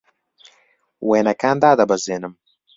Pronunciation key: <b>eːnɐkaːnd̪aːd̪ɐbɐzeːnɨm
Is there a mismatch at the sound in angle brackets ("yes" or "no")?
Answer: yes